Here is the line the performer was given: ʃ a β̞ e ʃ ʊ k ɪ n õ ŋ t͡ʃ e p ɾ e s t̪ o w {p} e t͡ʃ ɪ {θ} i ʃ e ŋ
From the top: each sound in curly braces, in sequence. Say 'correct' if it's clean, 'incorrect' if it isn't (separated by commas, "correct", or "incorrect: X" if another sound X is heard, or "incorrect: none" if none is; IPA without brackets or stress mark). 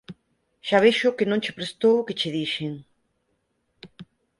incorrect: k, incorrect: ð